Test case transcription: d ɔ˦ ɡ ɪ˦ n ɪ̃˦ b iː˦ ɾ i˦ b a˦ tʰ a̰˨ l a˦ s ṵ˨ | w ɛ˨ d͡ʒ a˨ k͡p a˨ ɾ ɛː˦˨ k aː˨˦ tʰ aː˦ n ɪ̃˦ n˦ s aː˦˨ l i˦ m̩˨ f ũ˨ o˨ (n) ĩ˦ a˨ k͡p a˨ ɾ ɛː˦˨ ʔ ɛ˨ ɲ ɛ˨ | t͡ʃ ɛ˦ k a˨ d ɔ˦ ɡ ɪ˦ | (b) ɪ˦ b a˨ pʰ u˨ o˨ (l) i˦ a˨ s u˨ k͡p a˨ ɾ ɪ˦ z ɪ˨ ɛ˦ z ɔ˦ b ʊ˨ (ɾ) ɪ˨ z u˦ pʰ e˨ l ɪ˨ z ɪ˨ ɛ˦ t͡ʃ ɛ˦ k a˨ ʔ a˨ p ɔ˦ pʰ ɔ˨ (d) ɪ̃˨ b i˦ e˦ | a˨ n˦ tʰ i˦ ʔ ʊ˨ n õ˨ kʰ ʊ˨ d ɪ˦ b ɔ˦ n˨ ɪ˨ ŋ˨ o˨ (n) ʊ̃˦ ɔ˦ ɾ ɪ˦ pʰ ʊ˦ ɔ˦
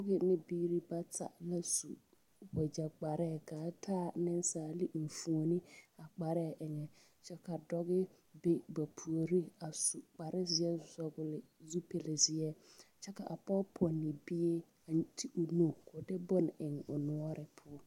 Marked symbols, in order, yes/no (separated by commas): yes, yes, no, no, no, yes